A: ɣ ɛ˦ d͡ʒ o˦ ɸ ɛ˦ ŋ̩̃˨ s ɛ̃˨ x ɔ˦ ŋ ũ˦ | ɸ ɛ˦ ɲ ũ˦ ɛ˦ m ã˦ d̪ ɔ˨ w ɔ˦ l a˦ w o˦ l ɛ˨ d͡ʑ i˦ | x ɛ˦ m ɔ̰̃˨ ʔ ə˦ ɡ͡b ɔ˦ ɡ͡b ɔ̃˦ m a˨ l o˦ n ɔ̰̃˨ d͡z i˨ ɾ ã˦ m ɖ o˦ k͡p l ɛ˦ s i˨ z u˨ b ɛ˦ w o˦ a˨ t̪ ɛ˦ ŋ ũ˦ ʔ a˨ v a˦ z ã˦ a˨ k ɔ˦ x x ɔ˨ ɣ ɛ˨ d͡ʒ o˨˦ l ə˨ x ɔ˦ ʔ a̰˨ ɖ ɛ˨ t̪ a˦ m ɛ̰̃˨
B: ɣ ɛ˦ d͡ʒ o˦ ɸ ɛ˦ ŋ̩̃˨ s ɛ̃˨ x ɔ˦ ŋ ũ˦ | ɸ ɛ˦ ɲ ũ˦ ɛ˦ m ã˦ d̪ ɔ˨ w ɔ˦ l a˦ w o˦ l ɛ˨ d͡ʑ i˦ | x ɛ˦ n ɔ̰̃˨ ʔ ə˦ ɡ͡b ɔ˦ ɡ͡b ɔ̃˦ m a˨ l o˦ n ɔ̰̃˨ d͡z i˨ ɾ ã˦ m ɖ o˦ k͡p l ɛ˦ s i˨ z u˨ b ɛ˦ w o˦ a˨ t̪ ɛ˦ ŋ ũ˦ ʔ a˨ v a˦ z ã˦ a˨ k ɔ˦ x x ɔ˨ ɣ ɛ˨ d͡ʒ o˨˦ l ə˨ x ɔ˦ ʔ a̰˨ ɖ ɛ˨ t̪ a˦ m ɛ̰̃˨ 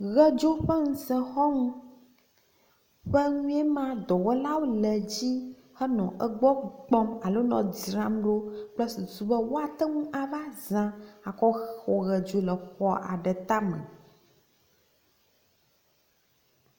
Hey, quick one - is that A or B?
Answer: B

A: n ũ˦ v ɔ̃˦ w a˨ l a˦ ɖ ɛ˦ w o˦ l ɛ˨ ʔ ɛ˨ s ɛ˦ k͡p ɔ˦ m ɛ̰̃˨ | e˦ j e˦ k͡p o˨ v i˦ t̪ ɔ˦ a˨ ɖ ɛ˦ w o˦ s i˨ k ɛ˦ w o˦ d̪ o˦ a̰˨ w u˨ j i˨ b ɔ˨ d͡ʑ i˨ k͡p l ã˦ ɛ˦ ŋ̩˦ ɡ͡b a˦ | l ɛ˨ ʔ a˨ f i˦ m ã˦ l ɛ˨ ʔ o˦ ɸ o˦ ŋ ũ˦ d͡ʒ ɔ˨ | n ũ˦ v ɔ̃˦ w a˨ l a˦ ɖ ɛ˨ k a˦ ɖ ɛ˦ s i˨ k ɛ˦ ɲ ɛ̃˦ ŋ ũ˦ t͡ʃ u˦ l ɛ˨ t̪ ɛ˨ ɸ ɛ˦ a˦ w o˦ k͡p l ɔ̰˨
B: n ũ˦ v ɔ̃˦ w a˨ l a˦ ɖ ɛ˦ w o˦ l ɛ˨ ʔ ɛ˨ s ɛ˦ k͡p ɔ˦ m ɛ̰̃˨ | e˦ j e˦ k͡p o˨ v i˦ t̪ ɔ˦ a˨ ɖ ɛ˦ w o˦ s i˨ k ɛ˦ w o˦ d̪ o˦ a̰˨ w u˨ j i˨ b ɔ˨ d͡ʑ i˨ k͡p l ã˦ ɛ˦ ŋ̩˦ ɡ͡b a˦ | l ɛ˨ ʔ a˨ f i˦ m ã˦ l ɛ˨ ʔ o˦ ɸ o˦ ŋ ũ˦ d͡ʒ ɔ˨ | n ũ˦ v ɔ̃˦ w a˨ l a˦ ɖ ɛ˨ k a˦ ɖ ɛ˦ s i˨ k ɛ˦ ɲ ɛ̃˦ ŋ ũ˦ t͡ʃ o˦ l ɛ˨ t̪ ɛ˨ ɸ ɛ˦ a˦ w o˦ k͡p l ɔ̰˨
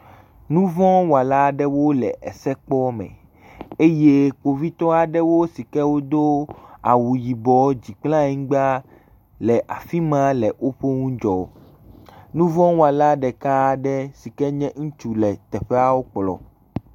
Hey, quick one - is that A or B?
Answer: A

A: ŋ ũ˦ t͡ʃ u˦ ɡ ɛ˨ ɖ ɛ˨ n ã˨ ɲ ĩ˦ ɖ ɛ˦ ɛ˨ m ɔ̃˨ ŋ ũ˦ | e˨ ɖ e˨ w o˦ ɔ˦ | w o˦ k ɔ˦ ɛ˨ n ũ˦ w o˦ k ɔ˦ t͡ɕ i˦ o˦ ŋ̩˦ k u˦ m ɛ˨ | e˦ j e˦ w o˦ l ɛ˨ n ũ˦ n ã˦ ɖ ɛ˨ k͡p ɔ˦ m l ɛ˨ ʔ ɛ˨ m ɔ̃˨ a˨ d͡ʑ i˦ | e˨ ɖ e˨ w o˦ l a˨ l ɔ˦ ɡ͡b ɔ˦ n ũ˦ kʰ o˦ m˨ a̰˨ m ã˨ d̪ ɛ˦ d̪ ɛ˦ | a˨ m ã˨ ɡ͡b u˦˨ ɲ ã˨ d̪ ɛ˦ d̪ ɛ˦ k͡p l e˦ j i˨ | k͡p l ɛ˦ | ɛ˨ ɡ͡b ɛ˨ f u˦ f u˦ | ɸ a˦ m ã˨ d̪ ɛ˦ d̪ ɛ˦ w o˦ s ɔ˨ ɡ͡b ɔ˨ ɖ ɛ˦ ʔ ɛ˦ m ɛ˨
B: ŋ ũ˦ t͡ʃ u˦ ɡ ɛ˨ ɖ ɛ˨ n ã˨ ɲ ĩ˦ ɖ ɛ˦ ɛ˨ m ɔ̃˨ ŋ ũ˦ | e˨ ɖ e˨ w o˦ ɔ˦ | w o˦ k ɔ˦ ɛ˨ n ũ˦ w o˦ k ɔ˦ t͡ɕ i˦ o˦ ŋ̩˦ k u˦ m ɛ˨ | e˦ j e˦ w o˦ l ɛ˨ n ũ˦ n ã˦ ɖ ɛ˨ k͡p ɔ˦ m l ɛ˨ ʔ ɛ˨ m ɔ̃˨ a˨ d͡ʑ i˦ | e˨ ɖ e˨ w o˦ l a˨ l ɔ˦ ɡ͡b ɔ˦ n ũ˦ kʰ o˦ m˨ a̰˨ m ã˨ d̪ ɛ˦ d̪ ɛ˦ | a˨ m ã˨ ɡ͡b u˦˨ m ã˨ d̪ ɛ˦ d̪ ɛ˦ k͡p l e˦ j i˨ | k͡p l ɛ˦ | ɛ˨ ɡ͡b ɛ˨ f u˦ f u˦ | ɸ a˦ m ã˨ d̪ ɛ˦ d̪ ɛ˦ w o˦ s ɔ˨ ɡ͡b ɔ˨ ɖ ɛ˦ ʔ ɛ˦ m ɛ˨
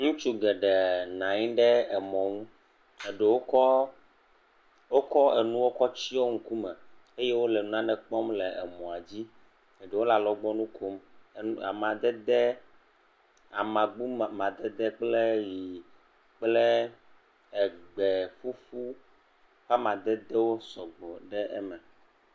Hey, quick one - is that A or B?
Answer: B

